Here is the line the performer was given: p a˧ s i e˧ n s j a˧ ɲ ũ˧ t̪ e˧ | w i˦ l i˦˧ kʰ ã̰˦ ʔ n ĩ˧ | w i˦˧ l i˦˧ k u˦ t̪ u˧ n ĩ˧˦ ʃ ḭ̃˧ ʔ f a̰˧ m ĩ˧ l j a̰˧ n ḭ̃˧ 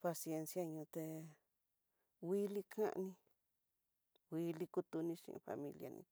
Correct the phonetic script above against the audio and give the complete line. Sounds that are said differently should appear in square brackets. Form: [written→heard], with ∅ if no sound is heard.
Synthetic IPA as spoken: p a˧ s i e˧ n s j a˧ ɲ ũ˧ t̪ e˧ | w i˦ l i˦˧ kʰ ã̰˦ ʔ n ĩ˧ | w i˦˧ l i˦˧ k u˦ t̪ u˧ n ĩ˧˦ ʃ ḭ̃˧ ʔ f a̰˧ m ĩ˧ l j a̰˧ n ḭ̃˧